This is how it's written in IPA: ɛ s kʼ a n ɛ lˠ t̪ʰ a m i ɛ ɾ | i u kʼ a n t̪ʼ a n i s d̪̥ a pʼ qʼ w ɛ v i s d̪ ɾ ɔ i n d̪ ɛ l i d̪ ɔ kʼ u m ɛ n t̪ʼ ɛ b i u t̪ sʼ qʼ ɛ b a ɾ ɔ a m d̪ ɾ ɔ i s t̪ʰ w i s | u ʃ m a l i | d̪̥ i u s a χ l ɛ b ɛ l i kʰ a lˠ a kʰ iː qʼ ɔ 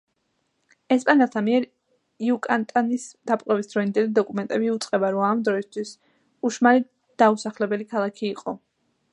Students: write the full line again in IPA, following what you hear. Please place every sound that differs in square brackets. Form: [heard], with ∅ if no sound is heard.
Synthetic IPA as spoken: ɛ s [pʼ] a n ɛ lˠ t̪ʰ a m i ɛ ɾ | i u kʼ a n t̪ʼ a n i s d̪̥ a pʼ qʼ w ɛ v i s d̪ ɾ ɔ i n d̪ ɛ l i d̪ ɔ kʼ u m ɛ n t̪ʼ ɛ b i u t̪ sʼ qʼ ɛ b a ɾ ɔ a m d̪ ɾ ɔ i s t̪ʰ w i s | u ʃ m a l i | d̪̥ [a] u s a χ l ɛ b ɛ l i kʰ a lˠ a kʰ iː qʼ ɔ